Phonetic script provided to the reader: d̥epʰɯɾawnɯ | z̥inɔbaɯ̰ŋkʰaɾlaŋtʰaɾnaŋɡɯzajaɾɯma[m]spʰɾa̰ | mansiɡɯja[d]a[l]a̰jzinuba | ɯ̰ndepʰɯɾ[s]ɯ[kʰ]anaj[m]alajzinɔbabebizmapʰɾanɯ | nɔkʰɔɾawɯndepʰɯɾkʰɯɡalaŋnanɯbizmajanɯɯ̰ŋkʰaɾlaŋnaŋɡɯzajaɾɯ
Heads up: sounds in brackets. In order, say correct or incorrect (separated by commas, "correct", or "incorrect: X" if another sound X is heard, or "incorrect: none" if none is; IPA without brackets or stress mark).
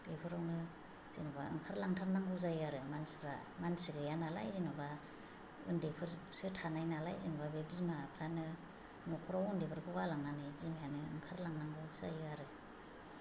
incorrect: n, incorrect: n, correct, correct, incorrect: tʰ, incorrect: n